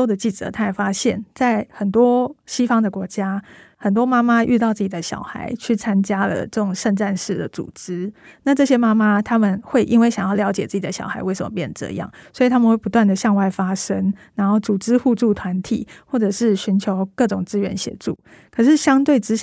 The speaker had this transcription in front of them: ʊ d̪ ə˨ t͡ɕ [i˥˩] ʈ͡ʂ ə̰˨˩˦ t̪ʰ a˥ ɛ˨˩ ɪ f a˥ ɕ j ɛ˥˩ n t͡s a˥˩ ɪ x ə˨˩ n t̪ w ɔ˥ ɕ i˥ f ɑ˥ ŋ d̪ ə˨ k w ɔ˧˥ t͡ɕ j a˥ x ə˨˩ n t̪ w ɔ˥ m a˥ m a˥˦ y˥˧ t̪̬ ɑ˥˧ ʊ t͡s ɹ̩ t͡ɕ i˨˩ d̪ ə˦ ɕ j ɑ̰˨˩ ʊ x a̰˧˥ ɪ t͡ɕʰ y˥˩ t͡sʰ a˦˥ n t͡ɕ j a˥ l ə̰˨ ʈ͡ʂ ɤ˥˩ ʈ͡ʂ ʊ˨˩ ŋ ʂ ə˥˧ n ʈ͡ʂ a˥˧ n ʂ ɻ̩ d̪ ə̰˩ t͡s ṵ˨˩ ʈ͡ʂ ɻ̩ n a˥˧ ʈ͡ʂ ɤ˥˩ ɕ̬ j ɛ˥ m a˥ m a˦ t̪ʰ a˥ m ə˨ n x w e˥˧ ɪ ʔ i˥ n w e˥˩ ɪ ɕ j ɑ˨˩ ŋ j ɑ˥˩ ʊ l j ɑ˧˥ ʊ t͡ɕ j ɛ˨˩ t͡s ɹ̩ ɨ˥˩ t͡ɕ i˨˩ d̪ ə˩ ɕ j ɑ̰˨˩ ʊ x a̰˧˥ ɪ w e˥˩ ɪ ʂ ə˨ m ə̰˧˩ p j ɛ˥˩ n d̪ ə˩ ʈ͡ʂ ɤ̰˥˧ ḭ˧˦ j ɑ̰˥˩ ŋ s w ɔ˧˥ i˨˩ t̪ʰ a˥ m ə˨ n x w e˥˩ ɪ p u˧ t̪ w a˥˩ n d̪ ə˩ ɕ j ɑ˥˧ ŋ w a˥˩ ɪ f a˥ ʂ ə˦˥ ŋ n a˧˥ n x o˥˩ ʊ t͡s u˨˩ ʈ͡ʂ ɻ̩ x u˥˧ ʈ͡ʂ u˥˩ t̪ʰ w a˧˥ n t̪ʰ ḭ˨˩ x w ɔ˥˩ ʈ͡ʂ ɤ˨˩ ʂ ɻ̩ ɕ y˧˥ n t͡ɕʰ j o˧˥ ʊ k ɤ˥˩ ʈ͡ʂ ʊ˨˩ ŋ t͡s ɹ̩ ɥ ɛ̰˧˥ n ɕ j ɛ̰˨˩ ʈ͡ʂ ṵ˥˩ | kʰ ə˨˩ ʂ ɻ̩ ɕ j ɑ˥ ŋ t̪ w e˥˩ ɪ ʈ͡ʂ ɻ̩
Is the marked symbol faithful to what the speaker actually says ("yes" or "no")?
yes